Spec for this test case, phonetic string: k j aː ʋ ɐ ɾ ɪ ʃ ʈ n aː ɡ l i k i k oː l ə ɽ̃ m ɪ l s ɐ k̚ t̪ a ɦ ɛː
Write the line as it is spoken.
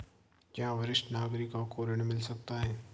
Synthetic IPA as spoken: k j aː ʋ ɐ ɾ ɪ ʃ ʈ n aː ɡ ɾ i k a k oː ɾ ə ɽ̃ m ɪ l s ɐ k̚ t̪ a ɦ ɛː

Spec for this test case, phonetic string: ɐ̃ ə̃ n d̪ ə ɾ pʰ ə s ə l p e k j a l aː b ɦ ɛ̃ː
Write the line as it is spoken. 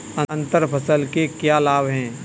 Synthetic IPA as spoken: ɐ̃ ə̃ n t̪ ə ɾ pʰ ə s ə l k e k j a l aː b ɦ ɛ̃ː

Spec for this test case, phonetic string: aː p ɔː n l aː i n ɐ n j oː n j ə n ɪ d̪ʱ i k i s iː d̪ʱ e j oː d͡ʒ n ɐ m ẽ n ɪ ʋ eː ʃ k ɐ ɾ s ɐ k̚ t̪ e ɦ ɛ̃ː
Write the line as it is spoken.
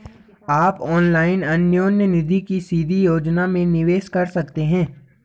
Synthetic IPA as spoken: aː p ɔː n l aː ɪ n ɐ n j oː n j ə n ɪ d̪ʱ i k i s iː d̪ʱ i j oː d͡ʒ n a m ẽ n ɪ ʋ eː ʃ k ɐ ɾ s ɐ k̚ t̪ e ɦ ɛ̃ː

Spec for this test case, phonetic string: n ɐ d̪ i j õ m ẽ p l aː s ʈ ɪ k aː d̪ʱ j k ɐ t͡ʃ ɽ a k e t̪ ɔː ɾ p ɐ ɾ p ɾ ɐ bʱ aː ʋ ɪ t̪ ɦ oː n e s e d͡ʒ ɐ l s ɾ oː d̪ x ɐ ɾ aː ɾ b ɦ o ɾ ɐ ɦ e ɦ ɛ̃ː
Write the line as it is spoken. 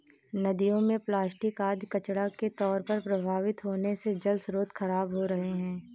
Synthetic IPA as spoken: n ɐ d̪ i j õ m ẽ p l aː s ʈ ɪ k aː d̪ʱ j k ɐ t͡ʃ ɽ a k e t̪ ɔː ɾ p ɐ ɾ p ɾ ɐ bʱ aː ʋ ɪ t̪ ɦ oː n e s e d͡ʒ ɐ l s ɾ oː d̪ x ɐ ɾ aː b ɦ o ɾ ɐ ɦ e ɦ ɛ̃ː

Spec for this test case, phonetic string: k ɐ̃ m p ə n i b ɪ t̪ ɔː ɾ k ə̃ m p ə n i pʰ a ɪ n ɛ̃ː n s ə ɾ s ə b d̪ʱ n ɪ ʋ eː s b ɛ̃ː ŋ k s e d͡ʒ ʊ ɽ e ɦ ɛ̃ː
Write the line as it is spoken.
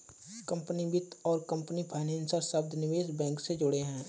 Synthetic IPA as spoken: k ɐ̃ m p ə n i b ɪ t̪ ɔː ɾ k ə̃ m p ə n i pʰ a ɪ n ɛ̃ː n s ə ɾ s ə b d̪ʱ n ɪ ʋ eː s b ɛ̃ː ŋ k s e d͡ʒ ʊ ɽ e ɦ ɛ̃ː

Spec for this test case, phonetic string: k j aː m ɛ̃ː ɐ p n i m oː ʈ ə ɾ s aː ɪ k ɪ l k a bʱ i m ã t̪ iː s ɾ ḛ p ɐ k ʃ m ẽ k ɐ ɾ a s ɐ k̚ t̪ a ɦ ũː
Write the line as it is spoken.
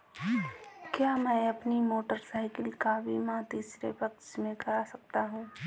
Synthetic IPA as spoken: k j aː m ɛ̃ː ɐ p n i m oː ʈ ə ɾ s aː ɪ k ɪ l k a bʱ i m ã t̪ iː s ɾ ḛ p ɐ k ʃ m ẽ k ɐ ɾ a s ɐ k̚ t̪ a ɦ ũː

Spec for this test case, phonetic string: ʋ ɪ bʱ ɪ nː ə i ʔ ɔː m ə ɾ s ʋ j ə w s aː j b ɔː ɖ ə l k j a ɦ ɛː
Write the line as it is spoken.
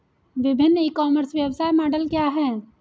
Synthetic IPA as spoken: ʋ ɪ bʱ ɪ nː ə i k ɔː m ə ɾ s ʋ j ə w s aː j m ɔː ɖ ə l k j a ɦ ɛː

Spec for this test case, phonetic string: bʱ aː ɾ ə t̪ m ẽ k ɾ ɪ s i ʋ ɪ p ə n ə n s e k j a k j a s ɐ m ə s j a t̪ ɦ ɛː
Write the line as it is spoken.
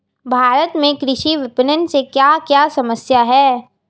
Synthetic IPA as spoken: bʱ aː ɾ ə t̪ m ẽ k ɾ ɪ ʃ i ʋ ɪ p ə n ə n s e k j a k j a s ɐ m ə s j a ɦ ɛː

